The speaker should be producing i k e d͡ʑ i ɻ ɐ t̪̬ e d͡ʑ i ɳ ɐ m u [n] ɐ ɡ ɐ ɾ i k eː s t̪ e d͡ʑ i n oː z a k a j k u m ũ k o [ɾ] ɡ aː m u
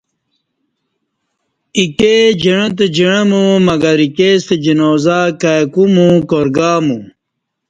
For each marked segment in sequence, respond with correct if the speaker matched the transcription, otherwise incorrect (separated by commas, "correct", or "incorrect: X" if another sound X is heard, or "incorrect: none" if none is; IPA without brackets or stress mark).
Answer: incorrect: m, correct